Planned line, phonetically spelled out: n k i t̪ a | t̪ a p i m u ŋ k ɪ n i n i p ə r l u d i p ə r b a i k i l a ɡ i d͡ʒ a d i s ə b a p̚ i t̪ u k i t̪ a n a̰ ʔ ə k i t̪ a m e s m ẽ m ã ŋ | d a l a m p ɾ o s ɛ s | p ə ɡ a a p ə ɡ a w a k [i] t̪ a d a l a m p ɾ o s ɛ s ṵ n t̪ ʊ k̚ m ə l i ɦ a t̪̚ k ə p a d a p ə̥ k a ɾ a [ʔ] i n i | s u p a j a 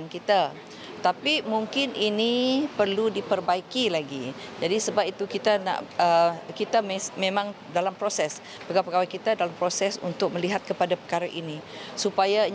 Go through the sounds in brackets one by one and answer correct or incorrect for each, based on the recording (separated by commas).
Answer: correct, correct